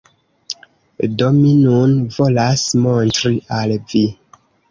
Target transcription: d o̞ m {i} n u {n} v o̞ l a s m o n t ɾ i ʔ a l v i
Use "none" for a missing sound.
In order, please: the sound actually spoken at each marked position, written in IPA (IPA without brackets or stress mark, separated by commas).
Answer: i, n